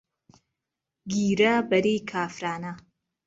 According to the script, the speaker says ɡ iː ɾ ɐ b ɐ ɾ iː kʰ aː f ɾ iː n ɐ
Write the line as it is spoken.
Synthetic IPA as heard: ɡ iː ɾ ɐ b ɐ ɾ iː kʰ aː f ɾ aː n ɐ